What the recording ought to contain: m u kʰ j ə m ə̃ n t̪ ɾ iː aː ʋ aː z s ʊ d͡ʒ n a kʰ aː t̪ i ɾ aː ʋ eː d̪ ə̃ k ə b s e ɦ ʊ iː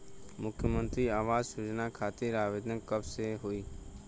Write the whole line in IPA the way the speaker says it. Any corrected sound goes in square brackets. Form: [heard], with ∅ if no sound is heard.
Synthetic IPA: m [ʊ] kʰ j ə m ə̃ n t̪ ɾ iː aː ʋ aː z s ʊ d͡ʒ n a kʰ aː t̪ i ɾ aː ʋ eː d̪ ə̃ k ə b s e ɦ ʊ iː

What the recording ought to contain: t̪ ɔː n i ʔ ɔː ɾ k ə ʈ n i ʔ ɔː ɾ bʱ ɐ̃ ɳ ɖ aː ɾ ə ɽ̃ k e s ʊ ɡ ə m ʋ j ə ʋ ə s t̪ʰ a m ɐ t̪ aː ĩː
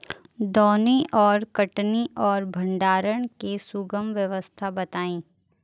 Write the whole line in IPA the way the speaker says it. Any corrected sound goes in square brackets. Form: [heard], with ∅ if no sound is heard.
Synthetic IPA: [d̪] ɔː n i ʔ ɔː ɾ k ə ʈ n i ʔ ɔː ɾ bʱ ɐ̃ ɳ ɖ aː ɾ ə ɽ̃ k e s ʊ ɡ ə m ʋ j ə ʋ ə s t̪ʰ a [b] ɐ t̪ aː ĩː

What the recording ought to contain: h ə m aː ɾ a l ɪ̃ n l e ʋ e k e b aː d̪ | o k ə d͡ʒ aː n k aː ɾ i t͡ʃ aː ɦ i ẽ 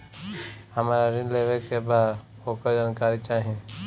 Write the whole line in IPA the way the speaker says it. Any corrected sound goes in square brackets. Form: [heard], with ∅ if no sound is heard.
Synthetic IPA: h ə m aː ɾ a [ɾ] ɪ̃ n l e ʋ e k e b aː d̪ | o k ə d͡ʒ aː n k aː ɾ i t͡ʃ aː ɦ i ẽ

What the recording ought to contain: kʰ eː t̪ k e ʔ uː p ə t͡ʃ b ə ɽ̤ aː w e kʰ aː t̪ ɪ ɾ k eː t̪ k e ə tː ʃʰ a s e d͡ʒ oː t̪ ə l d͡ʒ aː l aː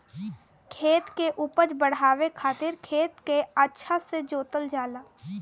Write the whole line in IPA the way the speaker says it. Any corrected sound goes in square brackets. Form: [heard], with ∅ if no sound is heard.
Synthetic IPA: kʰ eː t̪ k e ʔ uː p ə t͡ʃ b ə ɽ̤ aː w e kʰ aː t̪ ɪ ɾ [kʰ] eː t̪ k e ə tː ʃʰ a s e d͡ʒ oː t̪ ə l d͡ʒ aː l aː

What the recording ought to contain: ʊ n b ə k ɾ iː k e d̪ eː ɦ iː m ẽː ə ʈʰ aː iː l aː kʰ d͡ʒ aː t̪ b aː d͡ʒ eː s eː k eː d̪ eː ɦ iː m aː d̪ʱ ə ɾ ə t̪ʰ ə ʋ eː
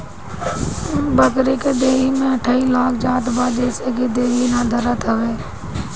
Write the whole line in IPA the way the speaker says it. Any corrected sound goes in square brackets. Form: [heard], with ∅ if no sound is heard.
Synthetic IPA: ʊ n b ə k ɾ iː k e d̪ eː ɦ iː m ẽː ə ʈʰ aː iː l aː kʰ d͡ʒ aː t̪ b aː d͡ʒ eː s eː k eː d̪ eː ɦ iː [n] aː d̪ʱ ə ɾ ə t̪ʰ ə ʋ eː

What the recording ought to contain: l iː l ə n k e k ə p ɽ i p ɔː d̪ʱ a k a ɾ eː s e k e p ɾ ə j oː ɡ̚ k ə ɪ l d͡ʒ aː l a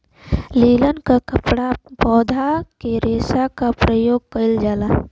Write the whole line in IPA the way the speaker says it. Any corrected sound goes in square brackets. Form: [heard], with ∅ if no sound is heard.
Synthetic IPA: l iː l ə n k [a] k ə p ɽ [a] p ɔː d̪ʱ a k [e] ɾ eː s [a] k [a] p ɾ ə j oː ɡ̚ k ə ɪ l d͡ʒ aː l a

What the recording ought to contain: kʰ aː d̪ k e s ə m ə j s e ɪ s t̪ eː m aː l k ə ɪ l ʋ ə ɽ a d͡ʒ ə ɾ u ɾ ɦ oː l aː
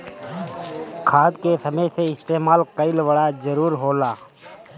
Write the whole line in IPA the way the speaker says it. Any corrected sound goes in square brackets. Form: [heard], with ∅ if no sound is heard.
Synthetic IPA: kʰ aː d̪ k e s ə m ə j s e ɪ s t̪ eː m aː l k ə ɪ l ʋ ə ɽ a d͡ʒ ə ɾ [uː] ɾ ɦ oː l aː

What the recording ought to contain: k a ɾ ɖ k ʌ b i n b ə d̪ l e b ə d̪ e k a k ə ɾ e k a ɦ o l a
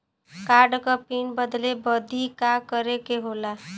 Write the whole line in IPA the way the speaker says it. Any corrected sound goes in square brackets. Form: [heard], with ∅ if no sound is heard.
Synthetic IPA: k a ɾ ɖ k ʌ [p] i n b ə d̪ l e b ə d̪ [i] k a k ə ɾ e k [e] ɦ o l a

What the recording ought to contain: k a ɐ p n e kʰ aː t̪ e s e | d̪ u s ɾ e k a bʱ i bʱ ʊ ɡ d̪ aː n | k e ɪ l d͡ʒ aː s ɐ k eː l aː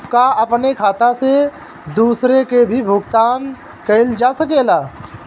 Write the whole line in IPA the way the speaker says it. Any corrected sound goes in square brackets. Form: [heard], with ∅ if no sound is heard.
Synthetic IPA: k a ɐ p n e kʰ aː t̪ [a] s e | d̪ [uː] s ɾ e k [e] bʱ i bʱ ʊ ɡ [t̪] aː n | k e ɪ l d͡ʒ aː s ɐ k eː l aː

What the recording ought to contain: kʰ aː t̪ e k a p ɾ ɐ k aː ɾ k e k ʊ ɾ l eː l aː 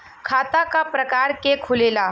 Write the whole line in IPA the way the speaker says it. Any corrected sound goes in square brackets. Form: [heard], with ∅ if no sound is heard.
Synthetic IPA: kʰ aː t̪ [a] k a p ɾ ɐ k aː ɾ k e [kʰ] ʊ [∅] l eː l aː

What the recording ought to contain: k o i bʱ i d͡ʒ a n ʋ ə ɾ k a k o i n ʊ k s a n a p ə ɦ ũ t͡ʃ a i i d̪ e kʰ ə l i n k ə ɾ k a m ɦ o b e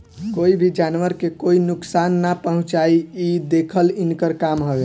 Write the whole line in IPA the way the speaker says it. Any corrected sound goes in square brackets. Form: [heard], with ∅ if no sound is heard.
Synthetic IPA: k o i bʱ i d͡ʒ a n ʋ ə ɾ k [e] k o i n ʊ k s a [nː] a p ə ɦ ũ t͡ʃ a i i d̪ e kʰ ə l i n k ə ɾ k a m ɦ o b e

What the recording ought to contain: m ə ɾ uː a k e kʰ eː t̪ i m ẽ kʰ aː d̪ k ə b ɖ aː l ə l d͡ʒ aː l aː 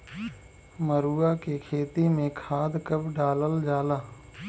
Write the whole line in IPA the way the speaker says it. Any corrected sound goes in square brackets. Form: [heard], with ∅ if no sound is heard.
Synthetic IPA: m ə ɾ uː a k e kʰ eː t̪ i m ẽ kʰ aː d̪ k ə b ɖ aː l ə l d͡ʒ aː l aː

